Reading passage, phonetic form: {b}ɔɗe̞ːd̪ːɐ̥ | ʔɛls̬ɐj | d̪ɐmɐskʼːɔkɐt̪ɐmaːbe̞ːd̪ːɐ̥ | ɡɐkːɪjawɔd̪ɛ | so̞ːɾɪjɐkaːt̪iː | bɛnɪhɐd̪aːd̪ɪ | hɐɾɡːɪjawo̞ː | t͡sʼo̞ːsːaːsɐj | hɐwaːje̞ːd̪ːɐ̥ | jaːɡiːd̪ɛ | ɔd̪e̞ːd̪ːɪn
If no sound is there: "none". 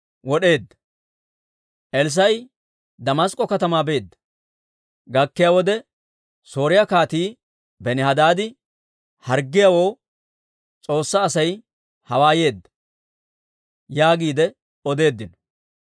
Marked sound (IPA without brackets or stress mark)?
w